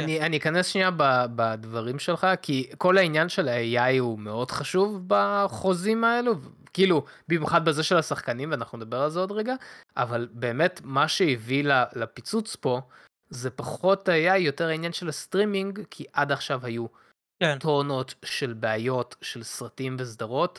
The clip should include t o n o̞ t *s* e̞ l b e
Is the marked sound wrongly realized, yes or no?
yes